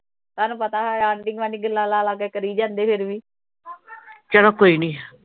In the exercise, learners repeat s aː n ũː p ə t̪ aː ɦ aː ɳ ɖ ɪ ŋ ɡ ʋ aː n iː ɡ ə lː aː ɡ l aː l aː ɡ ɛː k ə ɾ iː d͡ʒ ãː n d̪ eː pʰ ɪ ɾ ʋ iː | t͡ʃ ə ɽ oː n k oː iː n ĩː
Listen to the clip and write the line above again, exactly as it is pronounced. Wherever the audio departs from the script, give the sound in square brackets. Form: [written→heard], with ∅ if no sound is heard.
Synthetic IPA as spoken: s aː n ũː p ə t̪ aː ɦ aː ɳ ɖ ɪ ŋ ɡ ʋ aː n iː ɡ ə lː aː [ɡ→∅] l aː l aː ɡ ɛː k ə ɾ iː d͡ʒ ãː n d̪ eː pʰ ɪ ɾ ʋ iː | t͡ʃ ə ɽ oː [n→∅] k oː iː n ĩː